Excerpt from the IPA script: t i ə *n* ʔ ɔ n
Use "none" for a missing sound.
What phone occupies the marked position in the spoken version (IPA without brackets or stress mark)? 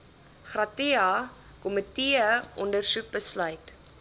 none